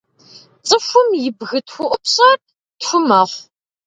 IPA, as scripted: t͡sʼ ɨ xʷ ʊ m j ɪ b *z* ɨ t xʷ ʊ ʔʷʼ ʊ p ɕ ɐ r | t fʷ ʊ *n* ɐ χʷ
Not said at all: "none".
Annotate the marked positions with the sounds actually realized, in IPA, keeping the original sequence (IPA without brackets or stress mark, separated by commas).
ɣ, m